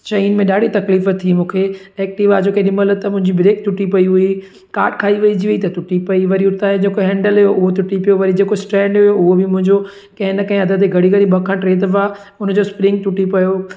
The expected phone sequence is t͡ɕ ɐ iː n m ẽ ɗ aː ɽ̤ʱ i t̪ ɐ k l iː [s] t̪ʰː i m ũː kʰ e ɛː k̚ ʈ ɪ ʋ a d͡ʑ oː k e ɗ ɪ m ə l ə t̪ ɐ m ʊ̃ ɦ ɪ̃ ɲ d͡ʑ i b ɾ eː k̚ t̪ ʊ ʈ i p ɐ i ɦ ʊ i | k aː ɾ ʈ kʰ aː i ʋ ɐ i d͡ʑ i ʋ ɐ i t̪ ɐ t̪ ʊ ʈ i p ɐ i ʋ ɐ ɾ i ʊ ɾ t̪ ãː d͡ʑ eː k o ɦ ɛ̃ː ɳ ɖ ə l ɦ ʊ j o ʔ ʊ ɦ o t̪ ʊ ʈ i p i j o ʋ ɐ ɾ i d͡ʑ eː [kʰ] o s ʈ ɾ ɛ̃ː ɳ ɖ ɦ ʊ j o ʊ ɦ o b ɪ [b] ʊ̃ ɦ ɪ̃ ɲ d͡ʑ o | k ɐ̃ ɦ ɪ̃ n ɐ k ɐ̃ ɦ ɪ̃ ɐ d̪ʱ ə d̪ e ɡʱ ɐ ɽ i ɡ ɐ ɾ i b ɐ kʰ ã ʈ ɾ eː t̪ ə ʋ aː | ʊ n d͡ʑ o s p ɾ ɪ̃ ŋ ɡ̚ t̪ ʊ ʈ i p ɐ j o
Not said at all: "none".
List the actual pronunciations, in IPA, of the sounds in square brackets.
f, k, m

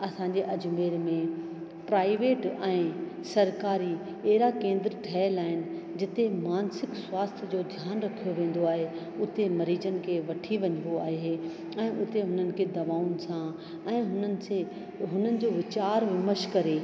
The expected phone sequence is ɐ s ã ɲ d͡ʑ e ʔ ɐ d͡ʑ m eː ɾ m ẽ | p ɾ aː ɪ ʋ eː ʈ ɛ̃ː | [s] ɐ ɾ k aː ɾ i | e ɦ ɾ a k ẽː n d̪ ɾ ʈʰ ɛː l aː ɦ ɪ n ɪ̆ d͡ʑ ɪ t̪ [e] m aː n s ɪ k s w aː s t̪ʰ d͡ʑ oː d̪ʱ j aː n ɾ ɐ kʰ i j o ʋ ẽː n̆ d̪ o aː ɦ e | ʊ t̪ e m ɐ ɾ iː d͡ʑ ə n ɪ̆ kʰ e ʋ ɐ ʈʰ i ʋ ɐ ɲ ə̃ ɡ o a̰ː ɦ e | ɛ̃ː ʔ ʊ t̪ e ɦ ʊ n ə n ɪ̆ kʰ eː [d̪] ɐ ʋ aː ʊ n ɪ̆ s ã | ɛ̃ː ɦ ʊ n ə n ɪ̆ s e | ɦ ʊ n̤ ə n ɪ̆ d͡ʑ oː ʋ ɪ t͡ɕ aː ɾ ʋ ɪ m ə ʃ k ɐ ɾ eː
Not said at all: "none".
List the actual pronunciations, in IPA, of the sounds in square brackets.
s, e, d̪

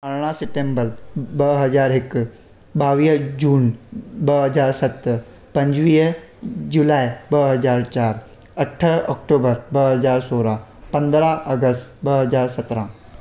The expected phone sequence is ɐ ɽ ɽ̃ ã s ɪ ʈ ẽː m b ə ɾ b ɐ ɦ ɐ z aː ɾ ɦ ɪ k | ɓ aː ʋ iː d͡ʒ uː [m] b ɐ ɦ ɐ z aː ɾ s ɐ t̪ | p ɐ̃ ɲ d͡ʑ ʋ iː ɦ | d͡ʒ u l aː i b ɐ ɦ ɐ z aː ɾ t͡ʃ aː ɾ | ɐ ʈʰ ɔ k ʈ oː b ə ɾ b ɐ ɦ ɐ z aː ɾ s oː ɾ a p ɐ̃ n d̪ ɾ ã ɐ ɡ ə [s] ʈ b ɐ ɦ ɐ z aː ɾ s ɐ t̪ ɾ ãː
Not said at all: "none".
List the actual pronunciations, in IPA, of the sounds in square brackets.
n, s

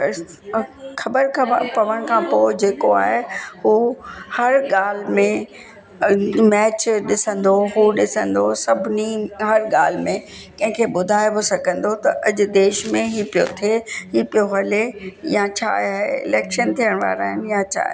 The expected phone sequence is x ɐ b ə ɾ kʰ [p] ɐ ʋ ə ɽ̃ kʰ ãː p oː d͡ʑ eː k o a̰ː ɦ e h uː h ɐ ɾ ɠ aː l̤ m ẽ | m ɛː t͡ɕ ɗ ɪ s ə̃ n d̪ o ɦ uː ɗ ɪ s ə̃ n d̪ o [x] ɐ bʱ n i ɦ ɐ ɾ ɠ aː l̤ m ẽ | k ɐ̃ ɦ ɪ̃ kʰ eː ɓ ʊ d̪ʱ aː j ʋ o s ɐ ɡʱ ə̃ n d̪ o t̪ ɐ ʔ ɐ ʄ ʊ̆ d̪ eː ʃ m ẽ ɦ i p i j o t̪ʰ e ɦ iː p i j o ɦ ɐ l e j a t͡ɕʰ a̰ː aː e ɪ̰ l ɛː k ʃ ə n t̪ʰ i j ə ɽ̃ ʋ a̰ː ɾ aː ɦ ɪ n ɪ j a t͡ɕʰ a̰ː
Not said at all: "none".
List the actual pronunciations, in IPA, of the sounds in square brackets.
p, s

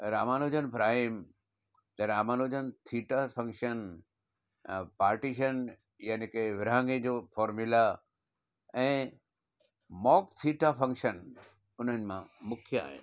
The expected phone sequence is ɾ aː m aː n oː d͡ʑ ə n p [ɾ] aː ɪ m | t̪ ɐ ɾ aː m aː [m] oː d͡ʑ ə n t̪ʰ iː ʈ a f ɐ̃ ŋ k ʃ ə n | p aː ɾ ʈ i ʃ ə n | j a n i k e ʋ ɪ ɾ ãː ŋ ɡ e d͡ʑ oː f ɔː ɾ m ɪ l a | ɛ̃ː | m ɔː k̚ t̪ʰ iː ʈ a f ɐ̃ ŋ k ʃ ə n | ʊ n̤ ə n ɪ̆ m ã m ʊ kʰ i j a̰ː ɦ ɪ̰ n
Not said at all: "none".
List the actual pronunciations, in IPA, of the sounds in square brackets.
ɾ, n

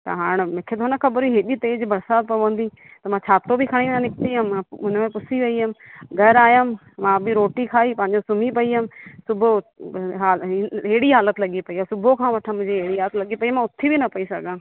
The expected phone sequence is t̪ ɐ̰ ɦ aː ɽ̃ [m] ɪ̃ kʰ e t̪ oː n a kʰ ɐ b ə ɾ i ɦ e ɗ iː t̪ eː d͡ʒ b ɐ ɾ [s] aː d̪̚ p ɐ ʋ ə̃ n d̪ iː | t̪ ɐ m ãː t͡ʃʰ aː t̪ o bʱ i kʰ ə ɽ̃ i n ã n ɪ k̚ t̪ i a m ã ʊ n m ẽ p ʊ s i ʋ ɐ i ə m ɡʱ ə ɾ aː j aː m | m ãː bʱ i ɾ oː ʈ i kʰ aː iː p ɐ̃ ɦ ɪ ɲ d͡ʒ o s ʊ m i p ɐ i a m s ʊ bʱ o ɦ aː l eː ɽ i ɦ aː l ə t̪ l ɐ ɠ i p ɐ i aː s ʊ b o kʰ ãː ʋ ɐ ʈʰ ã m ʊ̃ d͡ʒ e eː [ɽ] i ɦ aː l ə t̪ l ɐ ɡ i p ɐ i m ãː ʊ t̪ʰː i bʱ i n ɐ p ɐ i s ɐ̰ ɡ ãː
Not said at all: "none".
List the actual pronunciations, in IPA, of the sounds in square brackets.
m, s, ɽ

